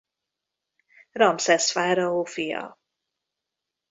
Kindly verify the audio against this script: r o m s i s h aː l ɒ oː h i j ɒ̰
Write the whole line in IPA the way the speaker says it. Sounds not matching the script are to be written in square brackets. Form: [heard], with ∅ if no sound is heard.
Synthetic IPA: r [ɒ] m s [ɛ] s [f] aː [ɾ] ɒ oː [f] i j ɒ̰